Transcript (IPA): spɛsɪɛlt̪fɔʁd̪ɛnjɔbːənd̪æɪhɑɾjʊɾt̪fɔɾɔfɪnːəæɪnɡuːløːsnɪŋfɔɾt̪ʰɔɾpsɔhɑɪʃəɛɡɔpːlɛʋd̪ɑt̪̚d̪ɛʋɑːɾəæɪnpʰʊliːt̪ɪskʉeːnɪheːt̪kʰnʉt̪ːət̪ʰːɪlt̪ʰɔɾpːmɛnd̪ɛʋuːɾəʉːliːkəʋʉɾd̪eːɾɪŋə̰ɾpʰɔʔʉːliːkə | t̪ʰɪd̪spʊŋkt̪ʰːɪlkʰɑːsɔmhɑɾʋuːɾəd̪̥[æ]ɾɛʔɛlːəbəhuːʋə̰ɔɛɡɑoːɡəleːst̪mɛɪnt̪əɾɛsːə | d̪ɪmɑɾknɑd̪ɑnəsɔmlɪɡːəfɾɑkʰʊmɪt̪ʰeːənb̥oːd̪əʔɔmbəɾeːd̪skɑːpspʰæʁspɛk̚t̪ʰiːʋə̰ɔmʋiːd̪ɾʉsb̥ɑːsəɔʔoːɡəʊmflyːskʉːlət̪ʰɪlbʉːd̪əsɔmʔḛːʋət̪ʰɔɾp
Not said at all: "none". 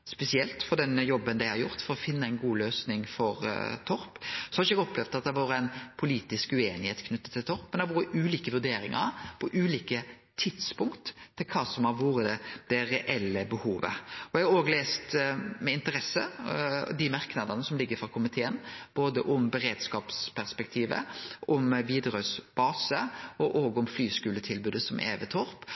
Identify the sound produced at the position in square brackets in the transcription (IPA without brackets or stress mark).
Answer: ɛ